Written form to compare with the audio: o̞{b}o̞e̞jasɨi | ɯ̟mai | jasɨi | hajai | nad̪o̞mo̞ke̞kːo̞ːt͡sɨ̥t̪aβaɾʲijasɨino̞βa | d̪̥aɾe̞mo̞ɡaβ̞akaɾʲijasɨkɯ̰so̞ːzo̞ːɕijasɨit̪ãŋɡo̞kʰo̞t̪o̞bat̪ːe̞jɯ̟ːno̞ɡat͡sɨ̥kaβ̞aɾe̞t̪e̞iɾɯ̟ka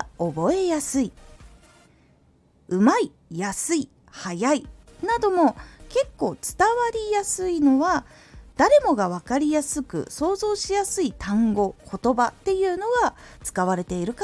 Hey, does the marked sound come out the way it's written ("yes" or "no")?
yes